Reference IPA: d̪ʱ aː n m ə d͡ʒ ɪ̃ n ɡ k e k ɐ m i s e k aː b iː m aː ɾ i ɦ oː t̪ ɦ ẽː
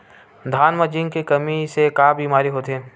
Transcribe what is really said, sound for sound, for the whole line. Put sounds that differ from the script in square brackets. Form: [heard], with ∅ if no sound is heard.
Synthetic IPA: d̪ʱ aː n m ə d͡ʒ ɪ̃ [ŋ] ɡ k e k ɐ m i s e k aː b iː m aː ɾ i ɦ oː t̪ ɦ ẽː